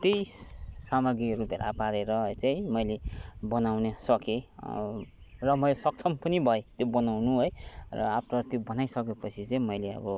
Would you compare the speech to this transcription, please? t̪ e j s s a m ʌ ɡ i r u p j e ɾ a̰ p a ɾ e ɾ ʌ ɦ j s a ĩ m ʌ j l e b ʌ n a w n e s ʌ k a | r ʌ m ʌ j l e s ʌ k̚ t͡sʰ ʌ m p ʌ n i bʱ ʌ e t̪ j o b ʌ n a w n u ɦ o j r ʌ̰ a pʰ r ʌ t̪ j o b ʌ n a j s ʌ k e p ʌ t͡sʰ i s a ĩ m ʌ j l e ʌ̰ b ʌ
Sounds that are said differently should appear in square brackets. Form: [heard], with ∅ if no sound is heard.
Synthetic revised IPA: t̪ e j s s a m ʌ ɡ i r u p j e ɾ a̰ p a ɾ e ɾ ʌ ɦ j [t͡s] a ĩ m ʌ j l e b ʌ n a w n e s ʌ k [e] | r ʌ m ʌ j l e s ʌ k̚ t͡sʰ ʌ m p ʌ n i bʱ ʌ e t̪ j o b ʌ n a w n u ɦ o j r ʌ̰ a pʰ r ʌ t̪ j o b ʌ n a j s ʌ k e p ʌ t͡sʰ i [t͡s] a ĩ m ʌ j l e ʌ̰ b ʌ

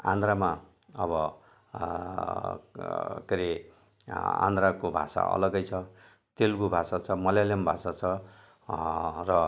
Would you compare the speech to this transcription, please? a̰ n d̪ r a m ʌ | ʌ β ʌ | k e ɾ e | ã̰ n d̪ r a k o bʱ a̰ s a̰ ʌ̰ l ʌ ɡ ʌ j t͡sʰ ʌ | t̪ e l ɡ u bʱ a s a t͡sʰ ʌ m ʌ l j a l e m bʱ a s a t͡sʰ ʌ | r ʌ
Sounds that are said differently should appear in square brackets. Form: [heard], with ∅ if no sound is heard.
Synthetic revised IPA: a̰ n d̪ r a m [a] | ʌ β ʌ | k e ɾ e | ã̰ n d̪ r a k o bʱ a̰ s a̰ ʌ̰ l ʌ ɡ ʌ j t͡sʰ ʌ | t̪ e l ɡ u bʱ a s a t͡sʰ ʌ m ʌ l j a l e m bʱ a s a t͡sʰ ʌ | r ʌ

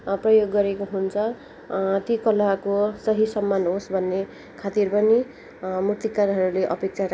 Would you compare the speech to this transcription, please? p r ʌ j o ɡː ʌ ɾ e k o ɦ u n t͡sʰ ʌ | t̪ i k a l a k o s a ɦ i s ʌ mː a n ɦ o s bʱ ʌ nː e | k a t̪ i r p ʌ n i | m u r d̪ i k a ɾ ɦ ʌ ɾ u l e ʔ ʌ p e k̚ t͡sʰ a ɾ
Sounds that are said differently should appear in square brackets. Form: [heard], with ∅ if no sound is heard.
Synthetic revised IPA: p r ʌ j o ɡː ʌ ɾ e k o ɦ u n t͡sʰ ʌ | t̪ i k [ʌ] l a k o s [ʌ] ɦ i s ʌ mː a n ɦ o s bʱ ʌ nː e | [kʰ] a t̪ i r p ʌ n i | m u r [t̪] i k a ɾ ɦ ʌ ɾ u l e ʔ ʌ p e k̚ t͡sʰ a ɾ

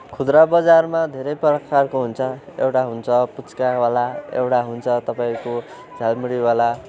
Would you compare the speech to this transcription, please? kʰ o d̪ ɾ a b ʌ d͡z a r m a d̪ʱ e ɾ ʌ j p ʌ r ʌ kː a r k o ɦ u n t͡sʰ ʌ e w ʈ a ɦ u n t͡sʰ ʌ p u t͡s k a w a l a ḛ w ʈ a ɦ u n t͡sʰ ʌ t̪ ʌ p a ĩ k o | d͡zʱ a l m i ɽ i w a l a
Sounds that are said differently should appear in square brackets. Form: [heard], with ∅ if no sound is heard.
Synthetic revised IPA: kʰ [u] d̪ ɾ a b ʌ d͡z a r m a d̪ʱ e ɾ ʌ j p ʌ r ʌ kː a r k o ɦ u n t͡sʰ ʌ e w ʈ a ɦ u n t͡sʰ ʌ p u t͡s k a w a l a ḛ w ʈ a ɦ u n t͡sʰ ʌ t̪ ʌ p a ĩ k o | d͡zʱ a l m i ɽ i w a l a

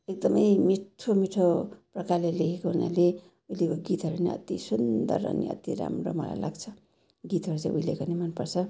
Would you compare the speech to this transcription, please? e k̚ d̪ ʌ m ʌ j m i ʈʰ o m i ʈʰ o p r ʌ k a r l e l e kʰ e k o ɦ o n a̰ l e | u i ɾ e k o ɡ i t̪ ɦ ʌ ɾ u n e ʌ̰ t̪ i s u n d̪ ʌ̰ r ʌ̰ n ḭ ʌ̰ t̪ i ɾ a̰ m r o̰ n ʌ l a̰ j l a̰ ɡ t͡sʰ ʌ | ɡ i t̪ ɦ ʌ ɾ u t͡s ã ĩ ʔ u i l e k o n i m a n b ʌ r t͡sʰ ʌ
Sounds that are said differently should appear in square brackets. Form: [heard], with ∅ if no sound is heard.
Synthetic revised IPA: e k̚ d̪ ʌ m ʌ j m i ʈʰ o m i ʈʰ o p r ʌ k a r l e l e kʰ e k o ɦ [u] n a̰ l e | u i [l] e k o ɡ i t̪ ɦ ʌ ɾ u n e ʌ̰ t̪ i s u n d̪ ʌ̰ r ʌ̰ n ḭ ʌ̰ t̪ i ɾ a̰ m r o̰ [m] ʌ l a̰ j l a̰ ɡ t͡sʰ ʌ | ɡ i t̪ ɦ ʌ ɾ u t͡s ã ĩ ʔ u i l e k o n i m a n [p] ʌ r t͡sʰ ʌ

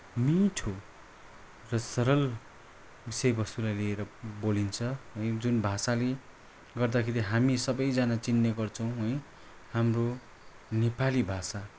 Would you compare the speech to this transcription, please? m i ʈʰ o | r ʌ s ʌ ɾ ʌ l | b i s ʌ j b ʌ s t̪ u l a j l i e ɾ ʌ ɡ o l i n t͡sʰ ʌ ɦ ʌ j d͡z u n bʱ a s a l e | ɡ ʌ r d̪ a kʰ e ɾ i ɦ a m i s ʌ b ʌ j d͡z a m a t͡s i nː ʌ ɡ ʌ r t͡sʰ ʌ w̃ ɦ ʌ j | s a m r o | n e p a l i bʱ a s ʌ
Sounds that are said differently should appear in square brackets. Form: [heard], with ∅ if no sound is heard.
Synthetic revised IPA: m i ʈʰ o | r ʌ s ʌ ɾ ʌ l | b i s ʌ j b ʌ s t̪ u l a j l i e ɾ ʌ [b] o l i n t͡sʰ ʌ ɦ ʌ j d͡z u n bʱ a s a l e | ɡ ʌ r d̪ a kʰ e ɾ i ɦ a m i s ʌ b ʌ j d͡z a [n] a t͡s i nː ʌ ɡ ʌ r t͡sʰ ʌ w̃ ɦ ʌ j | [h] a m r o | n e p a l i bʱ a s [a]

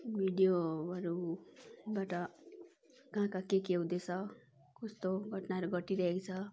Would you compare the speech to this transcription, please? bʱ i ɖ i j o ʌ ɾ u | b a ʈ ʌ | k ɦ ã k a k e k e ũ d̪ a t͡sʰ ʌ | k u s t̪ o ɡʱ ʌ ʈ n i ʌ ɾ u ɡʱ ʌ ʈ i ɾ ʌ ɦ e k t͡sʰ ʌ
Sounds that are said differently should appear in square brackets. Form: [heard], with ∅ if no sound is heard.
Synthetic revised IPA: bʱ i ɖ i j o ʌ ɾ u | b a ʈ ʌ | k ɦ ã k a k e k e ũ d̪ [e] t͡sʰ ʌ | k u s t̪ o ɡʱ ʌ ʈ n [a] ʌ ɾ u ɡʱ ʌ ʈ i ɾ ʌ ɦ e k t͡sʰ ʌ

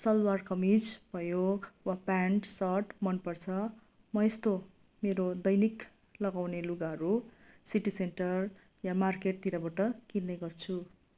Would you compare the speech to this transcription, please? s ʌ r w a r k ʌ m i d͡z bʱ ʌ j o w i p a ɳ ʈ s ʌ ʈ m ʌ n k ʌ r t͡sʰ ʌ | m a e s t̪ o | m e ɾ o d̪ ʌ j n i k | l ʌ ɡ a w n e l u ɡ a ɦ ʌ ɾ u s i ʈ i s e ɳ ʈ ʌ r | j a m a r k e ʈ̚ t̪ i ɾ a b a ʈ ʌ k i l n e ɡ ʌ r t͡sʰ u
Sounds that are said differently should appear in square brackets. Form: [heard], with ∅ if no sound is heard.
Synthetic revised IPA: s ʌ [l] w a r k ʌ m i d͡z bʱ ʌ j o w [a] p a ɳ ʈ s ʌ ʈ m ʌ n [p] ʌ r t͡sʰ ʌ | m [ʌ] e s t̪ o | m e ɾ o d̪ ʌ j n i k | l ʌ ɡ a w n e l u ɡ a ɦ ʌ ɾ u s i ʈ i s e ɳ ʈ ʌ r | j a m a r k e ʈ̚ t̪ i ɾ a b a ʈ ʌ k i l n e ɡ ʌ r t͡sʰ u

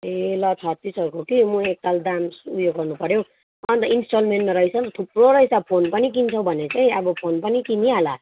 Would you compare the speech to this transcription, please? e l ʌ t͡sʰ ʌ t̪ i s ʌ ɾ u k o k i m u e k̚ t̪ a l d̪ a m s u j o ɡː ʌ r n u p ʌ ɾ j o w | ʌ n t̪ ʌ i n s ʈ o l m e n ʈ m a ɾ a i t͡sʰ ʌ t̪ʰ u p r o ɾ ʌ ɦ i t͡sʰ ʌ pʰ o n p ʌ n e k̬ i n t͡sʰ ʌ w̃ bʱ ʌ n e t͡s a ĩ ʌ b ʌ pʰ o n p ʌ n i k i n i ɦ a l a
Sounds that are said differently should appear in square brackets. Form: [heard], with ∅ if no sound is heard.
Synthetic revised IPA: e l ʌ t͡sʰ ʌ t̪ i s ʌ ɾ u k o k i m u e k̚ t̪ a l d̪ a m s u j o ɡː ʌ r n u p ʌ ɾ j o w | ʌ n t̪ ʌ i n s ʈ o l m e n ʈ m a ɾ [ʌ] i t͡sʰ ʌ t̪ʰ u p r o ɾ ʌ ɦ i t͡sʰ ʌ pʰ o n p ʌ n [i] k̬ i n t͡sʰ ʌ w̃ bʱ ʌ n e t͡s a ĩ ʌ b ʌ pʰ o n p ʌ n i k i n i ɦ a l a

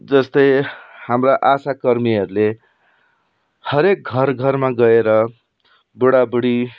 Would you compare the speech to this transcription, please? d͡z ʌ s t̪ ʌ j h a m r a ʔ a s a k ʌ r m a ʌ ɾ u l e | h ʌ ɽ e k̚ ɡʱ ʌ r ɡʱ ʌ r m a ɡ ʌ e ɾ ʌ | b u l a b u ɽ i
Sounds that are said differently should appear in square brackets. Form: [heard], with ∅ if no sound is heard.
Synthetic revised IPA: d͡z ʌ s t̪ ʌ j h a m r a ʔ a s a k ʌ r m [i] ʌ ɾ u l e | h ʌ [ɾ] e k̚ ɡʱ ʌ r ɡʱ ʌ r m a ɡ ʌ e ɾ ʌ | b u [ɽ] a b u ɽ i

